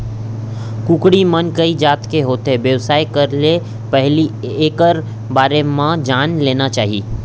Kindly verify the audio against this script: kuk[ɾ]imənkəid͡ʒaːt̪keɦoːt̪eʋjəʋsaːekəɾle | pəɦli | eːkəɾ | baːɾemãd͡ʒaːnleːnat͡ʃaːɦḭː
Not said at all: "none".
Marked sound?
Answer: ɽ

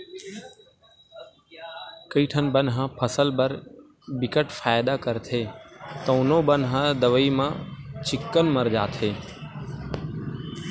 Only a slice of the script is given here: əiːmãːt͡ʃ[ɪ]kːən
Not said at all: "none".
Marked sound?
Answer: ɪ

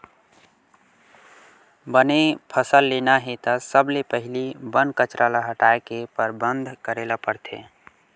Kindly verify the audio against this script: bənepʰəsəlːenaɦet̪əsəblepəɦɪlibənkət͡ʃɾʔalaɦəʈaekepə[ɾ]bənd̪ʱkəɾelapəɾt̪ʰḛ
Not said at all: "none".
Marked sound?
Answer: ɾ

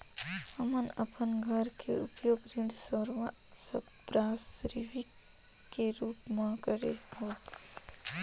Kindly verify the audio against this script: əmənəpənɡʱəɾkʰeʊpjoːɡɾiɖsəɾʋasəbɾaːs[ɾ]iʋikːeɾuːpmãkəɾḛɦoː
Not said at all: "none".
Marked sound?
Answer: ɾ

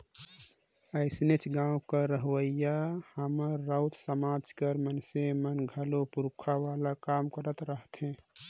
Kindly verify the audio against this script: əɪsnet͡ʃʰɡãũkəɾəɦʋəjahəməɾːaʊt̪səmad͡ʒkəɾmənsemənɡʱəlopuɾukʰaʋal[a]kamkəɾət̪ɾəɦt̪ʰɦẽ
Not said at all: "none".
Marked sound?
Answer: a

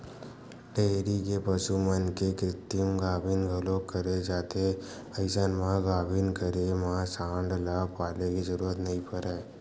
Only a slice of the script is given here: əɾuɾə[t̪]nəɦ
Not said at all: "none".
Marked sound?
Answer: t̪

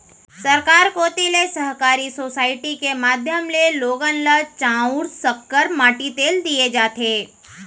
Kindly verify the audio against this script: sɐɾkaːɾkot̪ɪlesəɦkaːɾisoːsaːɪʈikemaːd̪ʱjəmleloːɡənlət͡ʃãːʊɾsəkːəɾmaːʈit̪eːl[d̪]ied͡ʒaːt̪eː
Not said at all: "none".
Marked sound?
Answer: d̪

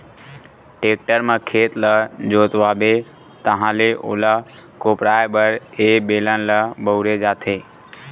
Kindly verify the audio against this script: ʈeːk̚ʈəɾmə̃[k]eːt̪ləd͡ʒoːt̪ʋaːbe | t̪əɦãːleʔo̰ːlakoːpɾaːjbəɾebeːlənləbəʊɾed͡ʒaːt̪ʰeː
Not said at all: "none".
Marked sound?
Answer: kʰ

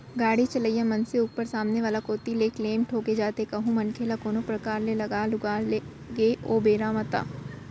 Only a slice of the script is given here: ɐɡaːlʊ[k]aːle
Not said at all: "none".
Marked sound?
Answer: ɡ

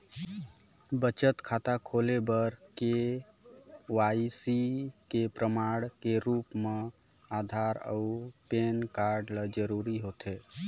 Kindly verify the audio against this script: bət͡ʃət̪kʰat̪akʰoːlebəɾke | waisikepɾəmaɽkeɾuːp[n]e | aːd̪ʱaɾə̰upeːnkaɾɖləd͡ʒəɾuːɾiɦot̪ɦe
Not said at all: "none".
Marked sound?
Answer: m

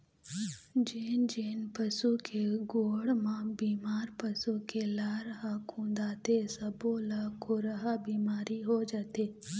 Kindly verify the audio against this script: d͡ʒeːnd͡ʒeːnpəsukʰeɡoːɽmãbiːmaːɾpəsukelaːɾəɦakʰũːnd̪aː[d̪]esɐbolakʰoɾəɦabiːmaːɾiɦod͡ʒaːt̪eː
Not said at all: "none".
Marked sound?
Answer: t̪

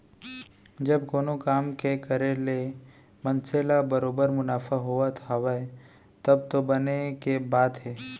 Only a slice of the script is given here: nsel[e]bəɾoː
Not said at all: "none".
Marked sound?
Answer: a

